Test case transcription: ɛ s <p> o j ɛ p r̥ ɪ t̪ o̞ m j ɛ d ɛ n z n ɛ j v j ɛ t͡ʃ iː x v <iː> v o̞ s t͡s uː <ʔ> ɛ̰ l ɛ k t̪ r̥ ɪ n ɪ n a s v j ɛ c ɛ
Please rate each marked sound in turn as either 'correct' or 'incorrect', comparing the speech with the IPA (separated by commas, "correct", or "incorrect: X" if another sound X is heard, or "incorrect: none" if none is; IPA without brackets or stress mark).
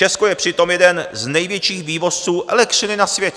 incorrect: k, correct, correct